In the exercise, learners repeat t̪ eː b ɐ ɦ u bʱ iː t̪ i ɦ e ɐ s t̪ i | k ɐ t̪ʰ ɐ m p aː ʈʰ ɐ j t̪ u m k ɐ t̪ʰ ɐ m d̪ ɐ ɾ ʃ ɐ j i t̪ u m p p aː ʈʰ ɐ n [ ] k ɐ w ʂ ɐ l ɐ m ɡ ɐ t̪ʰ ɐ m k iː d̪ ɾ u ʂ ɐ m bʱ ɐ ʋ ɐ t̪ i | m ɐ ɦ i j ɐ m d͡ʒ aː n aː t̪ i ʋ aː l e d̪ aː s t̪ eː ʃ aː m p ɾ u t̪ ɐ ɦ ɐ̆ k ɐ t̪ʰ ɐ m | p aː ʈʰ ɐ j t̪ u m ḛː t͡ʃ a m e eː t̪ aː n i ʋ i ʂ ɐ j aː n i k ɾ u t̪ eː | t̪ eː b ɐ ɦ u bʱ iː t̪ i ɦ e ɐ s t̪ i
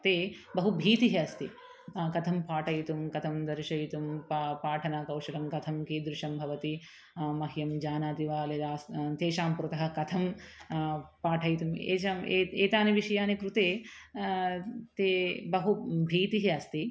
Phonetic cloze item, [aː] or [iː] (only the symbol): aː